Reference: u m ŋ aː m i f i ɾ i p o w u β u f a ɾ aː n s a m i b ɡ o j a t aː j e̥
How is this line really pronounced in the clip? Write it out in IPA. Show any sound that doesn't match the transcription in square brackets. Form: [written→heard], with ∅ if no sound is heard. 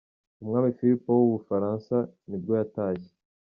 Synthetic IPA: u m ŋ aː m i f i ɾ i p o w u β u f a ɾ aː n s a [m→n] i b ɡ o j a t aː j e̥

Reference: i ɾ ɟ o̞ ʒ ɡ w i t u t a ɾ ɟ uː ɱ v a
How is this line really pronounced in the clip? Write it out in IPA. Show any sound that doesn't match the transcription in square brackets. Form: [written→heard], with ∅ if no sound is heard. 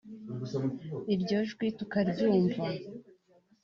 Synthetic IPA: i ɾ ɟ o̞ ʒ ɡ w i t u [t→k] a ɾ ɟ uː ɱ v a

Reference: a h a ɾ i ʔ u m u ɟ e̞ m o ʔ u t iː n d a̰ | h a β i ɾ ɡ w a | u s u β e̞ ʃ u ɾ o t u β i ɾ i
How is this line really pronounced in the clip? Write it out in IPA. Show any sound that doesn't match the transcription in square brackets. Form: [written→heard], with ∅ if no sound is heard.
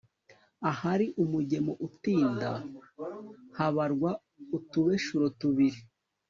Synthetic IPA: a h a ɾ i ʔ u m u ɟ e̞ m o ʔ u t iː n d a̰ | h a β [i→a] ɾ ɡ w a | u [s→t] u β e̞ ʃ u ɾ o t u β i ɾ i

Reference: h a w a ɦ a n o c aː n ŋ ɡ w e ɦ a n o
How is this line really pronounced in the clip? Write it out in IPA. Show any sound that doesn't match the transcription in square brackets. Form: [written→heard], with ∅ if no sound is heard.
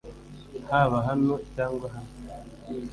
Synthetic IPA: h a [w→β] a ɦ a n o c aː [n→∅] ŋ ɡ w [e→a] ɦ a n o

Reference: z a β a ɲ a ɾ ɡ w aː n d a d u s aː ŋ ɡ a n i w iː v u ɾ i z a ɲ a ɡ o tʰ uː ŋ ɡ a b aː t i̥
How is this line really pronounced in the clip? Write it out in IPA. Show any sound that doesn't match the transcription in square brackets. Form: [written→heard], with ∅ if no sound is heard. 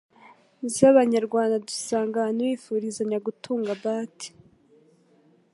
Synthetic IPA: z a β a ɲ a ɾ ɡ w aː n d a d u s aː ŋ ɡ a n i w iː [v→f] u ɾ i z a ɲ a ɡ [o→u] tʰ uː ŋ ɡ a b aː t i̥

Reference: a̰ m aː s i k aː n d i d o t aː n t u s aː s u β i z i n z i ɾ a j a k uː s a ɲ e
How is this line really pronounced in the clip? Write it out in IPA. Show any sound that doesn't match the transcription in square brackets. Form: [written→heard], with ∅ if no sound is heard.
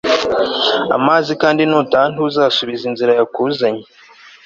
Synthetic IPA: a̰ m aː [s→z] i k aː n d i [d→n] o t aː n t u [s→z] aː s u β i z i n z i ɾ a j a k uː [s→z] a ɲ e

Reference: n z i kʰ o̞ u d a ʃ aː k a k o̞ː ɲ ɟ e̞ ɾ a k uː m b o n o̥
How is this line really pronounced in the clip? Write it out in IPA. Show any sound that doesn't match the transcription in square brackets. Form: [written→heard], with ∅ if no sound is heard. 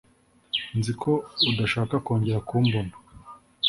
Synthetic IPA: n z i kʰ o̞ u d a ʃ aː k a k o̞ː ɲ ɟ e̞ ɾ a k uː m b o n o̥

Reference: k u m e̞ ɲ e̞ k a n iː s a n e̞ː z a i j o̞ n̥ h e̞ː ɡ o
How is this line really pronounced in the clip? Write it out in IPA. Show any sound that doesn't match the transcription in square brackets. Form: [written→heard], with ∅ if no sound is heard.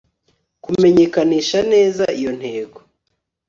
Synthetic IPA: k u m e̞ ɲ e̞ k a n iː [s→ʃ] a n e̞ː z a i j o̞ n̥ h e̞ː ɡ o

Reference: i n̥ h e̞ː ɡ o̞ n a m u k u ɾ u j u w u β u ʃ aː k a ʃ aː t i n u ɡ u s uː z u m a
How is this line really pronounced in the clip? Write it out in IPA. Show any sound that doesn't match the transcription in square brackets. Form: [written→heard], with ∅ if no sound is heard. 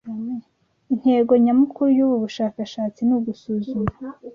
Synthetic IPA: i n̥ h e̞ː ɡ o̞ [n→ɲ] a m u k u ɾ u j u [w→β] u β u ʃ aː k a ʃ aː [t→t͡s] i n u ɡ u s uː z u m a

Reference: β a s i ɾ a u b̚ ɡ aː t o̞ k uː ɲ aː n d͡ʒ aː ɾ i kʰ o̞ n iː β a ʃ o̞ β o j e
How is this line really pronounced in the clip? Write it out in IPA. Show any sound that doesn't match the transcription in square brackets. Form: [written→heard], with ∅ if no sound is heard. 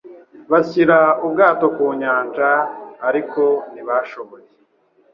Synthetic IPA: β a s i ɾ a u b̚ ɡ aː t o̞ k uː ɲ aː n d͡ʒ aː ɾ i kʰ o̞ n [iː→i] β a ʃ o̞ β o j e

